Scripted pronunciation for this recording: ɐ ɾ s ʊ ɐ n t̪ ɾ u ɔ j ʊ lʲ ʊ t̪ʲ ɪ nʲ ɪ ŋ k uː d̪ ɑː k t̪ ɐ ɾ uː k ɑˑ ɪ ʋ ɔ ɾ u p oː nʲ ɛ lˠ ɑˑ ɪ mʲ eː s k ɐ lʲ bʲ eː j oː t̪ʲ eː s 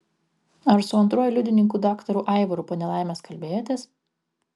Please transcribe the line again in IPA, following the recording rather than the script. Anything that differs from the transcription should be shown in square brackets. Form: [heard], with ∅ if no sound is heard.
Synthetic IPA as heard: ɐ ɾ s ʊ ɐ n t̪ ɾ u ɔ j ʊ lʲ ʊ [d̪ʲ] ɪ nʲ ɪ ŋ k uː d̪ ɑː k t̪ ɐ ɾ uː [ʔ] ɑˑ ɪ ʋ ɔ ɾ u p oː nʲ ɛ lˠ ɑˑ ɪ mʲ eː s k ɐ lʲ bʲ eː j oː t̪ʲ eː s